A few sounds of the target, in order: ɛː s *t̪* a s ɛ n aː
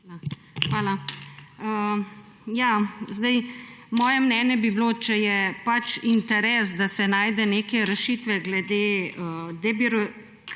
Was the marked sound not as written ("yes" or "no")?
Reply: yes